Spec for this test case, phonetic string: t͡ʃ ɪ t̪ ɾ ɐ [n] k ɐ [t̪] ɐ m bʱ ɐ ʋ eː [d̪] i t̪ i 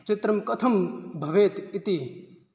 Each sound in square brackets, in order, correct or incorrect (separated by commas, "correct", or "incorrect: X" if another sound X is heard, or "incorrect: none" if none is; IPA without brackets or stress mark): incorrect: m, incorrect: t̪ʰ, incorrect: t̪